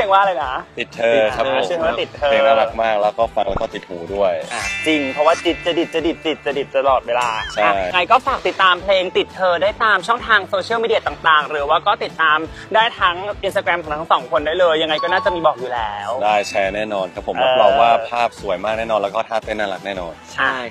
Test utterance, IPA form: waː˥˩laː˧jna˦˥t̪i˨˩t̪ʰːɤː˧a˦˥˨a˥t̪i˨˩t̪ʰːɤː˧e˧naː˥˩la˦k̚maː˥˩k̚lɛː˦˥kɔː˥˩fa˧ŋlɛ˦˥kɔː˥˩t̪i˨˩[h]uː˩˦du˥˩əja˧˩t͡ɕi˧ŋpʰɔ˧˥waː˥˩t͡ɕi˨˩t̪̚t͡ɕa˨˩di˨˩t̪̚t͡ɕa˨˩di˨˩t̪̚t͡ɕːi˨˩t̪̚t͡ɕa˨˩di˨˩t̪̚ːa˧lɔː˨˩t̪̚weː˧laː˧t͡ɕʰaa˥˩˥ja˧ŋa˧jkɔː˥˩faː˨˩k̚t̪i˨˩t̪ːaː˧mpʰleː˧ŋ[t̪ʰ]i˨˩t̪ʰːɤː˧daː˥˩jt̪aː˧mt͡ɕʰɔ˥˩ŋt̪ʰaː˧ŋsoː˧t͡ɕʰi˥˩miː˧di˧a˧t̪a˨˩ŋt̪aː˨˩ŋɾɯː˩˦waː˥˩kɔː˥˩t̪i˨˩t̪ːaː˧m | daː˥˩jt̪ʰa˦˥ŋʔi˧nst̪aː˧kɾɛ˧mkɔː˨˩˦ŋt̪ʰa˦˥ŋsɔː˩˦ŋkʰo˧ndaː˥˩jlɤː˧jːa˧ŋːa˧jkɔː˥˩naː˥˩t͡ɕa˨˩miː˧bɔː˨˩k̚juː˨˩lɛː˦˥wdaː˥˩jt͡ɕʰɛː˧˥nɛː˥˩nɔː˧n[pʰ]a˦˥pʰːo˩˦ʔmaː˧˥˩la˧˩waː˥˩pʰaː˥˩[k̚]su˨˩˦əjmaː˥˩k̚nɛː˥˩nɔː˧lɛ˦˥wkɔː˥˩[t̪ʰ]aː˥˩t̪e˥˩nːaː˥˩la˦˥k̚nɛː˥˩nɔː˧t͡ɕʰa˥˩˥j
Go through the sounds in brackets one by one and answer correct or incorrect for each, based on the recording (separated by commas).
correct, incorrect, incorrect, incorrect, correct